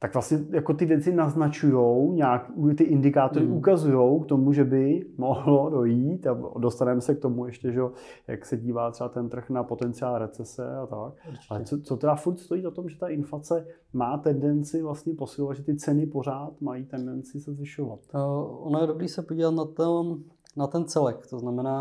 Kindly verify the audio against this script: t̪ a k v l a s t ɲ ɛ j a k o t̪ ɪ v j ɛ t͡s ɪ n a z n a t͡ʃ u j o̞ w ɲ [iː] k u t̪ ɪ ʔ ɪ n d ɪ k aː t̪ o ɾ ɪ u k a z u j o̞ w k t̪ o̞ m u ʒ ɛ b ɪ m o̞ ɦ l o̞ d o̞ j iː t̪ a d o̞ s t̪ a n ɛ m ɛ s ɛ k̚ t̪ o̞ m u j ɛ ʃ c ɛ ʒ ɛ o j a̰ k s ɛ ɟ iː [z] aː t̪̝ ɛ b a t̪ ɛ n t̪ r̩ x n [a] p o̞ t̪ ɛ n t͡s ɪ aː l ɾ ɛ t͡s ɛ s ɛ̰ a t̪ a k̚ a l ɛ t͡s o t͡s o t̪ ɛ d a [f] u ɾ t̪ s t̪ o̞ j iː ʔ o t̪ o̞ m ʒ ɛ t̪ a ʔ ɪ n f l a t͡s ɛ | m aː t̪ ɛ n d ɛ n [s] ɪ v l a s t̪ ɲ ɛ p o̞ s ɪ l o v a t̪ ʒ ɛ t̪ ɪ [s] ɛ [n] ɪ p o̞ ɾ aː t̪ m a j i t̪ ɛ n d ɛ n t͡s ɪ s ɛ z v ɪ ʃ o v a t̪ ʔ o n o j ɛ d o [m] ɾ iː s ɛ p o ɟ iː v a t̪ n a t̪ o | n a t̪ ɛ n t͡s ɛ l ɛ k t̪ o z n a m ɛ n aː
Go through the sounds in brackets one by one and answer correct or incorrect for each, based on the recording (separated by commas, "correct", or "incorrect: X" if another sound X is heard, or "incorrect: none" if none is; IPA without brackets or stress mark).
incorrect: aː, incorrect: v, correct, correct, incorrect: t͡s, incorrect: t͡s, correct, incorrect: b